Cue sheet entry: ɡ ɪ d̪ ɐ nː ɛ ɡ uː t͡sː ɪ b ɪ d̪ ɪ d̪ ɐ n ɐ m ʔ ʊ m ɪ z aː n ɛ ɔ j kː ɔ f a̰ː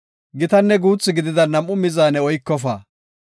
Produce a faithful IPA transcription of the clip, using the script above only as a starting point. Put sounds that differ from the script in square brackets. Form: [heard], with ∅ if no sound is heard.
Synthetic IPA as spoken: ɡ ɪ [t̪] ɐ nː ɛ ɡ uː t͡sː ɪ [ɡ] ɪ d̪ ɪ d̪ ɐ n ɐ m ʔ ʊ m ɪ z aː n ɛ ɔ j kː ɔ f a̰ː